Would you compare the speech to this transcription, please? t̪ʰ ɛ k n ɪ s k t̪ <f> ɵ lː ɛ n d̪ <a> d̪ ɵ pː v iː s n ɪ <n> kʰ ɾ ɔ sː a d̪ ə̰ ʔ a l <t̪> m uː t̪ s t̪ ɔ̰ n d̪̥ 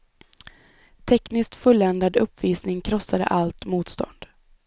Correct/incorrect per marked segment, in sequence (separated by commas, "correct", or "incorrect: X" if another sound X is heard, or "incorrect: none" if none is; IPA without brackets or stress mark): correct, correct, incorrect: ŋ, correct